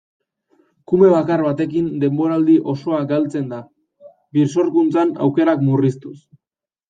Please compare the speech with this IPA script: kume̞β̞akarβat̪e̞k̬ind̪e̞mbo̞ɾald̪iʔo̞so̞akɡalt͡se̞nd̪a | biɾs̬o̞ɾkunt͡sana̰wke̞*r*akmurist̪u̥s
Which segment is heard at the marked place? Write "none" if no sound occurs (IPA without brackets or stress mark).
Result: ɾ